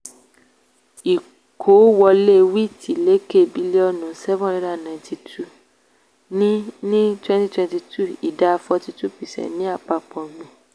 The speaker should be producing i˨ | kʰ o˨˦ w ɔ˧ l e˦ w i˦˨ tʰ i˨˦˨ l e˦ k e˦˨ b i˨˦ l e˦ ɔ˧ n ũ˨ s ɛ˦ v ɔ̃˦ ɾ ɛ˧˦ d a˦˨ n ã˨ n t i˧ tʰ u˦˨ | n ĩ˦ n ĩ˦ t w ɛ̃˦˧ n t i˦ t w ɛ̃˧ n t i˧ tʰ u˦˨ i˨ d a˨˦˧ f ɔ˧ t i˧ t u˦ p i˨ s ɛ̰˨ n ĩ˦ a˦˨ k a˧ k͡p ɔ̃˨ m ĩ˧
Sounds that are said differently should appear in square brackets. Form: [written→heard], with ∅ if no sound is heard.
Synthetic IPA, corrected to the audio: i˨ | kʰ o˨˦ w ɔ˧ l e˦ w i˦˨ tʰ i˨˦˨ l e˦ k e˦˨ b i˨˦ l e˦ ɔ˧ n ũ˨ s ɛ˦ v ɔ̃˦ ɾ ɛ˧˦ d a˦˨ n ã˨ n t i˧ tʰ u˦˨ | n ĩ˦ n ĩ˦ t w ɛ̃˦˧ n t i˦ t w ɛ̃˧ n t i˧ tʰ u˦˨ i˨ d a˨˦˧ f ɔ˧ t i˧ t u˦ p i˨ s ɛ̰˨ n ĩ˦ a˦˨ [k→k͡p] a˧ k͡p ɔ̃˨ m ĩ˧